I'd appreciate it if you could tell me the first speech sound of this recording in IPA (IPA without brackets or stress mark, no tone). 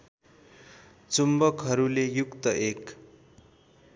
t͡s